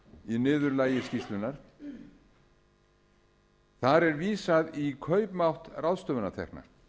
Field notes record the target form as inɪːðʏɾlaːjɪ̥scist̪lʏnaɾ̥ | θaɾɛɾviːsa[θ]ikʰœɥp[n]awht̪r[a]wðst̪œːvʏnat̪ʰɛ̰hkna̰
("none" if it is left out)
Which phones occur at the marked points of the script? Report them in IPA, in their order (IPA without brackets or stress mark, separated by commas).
ð, m, a